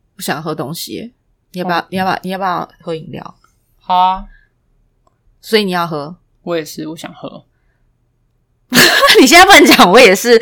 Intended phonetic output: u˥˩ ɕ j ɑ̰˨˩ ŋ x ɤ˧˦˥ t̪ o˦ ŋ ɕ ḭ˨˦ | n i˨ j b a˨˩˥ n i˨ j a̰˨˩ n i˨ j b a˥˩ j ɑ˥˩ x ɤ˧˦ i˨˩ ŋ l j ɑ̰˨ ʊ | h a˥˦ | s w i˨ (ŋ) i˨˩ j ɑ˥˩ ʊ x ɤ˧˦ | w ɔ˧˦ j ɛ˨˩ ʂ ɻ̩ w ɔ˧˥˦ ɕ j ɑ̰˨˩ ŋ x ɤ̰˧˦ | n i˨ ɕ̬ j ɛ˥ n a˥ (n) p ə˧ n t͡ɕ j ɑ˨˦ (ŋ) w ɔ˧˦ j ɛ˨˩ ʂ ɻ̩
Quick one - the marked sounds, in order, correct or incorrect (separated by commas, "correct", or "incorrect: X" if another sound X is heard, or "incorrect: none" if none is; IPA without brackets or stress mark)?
incorrect: n, incorrect: none, correct